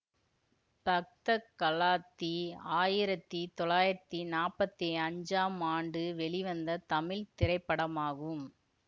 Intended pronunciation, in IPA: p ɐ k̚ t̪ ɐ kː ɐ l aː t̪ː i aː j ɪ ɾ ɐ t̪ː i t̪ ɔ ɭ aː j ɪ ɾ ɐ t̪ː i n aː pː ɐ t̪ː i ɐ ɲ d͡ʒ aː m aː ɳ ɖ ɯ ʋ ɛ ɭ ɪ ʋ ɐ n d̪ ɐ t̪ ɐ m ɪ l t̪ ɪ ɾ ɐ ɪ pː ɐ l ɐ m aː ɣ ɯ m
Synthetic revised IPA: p ɐ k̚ t̪ ɐ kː ɐ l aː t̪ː i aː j ɪ ɾ ɐ t̪ː i t̪ ɔ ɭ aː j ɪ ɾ ɐ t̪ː i n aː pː ɐ t̪ː i ɐ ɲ d͡ʒ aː m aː ɳ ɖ ɯ ʋ ɛ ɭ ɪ ʋ ɐ n d̪ ɐ t̪ ɐ m ɪ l t̪ ɪ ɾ ɐ ɪ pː ɐ ɽ ɐ m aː ɣ ɯ m